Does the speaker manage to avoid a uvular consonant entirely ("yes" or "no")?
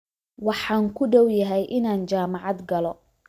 yes